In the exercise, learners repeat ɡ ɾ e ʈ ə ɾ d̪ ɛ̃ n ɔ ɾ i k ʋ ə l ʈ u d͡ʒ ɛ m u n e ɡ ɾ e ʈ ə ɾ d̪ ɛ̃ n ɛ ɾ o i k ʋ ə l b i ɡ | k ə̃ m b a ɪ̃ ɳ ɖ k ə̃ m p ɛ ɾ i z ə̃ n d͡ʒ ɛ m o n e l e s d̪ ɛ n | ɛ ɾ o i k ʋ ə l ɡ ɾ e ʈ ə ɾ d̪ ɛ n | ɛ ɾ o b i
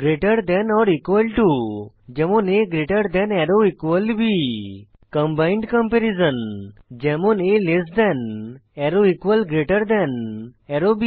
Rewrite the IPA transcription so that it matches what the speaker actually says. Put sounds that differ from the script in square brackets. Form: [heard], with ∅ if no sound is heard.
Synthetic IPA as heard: ɡ ɾ e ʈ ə ɾ d̪ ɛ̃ n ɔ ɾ i k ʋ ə l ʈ u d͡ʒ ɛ m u n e ɡ ɾ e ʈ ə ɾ d̪ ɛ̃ n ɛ ɾ o i k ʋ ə l b i [∅] | k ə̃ m b a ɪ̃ ɳ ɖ k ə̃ m p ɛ ɾ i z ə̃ n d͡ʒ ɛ m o n e l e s d̪ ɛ n | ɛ ɾ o i k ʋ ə l ɡ ɾ e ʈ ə ɾ d̪ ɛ n | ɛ ɾ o b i